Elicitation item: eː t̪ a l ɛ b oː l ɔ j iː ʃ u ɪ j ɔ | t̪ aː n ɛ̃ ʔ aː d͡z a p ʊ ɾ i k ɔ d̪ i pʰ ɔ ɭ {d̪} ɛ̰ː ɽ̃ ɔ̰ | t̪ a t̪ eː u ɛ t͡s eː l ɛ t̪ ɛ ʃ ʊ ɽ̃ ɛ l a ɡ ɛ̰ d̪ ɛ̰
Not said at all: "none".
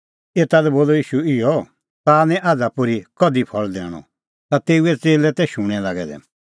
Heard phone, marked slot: d̪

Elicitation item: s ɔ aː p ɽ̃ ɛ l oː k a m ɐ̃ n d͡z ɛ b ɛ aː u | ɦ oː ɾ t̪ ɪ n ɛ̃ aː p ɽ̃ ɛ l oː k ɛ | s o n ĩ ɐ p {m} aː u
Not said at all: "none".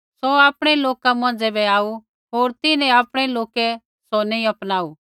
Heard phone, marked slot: n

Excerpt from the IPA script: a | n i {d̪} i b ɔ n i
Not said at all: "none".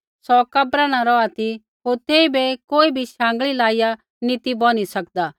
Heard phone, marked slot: t̪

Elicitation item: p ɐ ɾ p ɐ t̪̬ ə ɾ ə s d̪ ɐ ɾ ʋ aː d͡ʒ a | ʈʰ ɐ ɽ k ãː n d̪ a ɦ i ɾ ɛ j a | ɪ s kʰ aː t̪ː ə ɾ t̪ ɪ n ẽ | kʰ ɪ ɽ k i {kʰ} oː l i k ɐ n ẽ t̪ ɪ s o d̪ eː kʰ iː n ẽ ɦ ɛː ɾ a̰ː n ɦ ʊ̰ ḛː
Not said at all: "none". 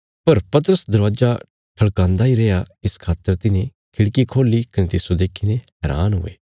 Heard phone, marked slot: kʰ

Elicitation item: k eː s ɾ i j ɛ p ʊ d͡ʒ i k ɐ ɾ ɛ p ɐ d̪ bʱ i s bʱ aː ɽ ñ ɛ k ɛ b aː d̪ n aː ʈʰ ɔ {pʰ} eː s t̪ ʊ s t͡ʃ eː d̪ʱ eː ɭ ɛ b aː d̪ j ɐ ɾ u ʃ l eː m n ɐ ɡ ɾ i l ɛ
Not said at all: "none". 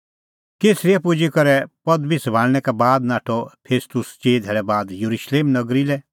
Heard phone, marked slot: pʰ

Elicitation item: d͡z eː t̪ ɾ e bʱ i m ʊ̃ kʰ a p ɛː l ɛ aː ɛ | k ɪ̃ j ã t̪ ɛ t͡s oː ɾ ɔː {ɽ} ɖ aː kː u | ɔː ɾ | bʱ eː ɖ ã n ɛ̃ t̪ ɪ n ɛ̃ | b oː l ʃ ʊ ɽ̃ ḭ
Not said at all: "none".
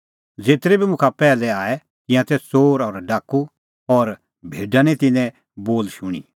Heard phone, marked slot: ɾ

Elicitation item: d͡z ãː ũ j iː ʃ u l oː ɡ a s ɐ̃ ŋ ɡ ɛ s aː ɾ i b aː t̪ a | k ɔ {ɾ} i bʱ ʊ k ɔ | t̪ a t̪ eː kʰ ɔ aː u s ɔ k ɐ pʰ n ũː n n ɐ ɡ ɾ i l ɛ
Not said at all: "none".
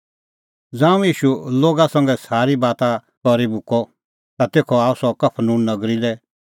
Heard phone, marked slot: ɾ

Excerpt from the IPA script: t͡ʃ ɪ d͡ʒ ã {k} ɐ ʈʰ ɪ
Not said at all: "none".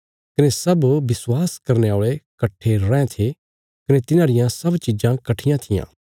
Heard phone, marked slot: k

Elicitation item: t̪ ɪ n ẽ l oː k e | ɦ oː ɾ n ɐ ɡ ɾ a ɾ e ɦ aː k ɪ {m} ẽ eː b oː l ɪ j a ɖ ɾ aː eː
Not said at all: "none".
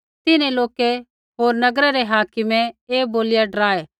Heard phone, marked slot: m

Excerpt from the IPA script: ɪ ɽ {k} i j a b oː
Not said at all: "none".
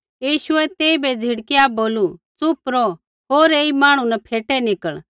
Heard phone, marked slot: k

